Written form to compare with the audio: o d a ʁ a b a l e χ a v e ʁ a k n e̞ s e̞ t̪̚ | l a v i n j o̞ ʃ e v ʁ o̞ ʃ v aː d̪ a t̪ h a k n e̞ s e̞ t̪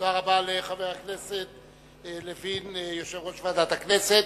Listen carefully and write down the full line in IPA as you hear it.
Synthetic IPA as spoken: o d a ʁ a b a l e χ a v e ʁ a k n e̞ s e̞ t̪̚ | l e v i n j o̞ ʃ e v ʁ o̞ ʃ v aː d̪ a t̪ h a k n e̞ s e̞ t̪